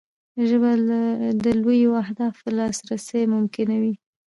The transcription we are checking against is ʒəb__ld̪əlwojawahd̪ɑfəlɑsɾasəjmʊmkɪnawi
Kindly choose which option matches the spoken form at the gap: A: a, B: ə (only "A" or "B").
A